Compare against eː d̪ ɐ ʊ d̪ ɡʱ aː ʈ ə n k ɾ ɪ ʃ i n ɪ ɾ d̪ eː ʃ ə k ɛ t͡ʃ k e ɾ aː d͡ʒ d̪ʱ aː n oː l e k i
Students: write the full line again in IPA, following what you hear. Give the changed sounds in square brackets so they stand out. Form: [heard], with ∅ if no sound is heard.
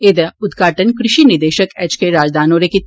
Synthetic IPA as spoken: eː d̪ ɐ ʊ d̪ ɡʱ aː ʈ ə n k ɾ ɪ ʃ i n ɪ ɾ d̪ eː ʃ ə k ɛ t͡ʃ k e ɾ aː d͡ʒ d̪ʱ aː n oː [ɾ] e k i